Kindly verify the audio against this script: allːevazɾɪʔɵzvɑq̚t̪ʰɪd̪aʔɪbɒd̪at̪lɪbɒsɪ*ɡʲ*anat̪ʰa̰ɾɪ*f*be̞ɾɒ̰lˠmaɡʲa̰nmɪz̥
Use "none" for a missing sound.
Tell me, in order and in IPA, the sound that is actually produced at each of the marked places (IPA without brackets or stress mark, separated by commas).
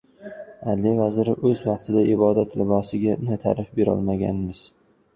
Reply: ɡʲ, f